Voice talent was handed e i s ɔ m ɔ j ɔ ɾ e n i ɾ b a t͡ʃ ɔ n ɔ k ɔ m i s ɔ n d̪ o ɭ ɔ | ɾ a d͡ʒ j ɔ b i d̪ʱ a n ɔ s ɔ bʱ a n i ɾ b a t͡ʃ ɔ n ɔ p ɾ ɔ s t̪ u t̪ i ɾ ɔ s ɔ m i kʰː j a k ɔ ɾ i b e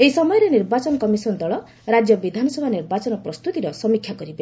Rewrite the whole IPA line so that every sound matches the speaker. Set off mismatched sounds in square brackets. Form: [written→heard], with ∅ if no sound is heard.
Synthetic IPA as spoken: e i s ɔ m ɔ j ɔ ɾ e n i ɾ b a t͡ʃ ɔ n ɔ k ɔ m i s ɔ n d̪ [o→ɔ] ɭ ɔ | ɾ a d͡ʒ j ɔ b i d̪ʱ a n ɔ s ɔ bʱ a n i ɾ b a t͡ʃ ɔ n ɔ p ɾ ɔ s t̪ u t̪ i ɾ ɔ s ɔ m i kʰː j a k ɔ ɾ i b e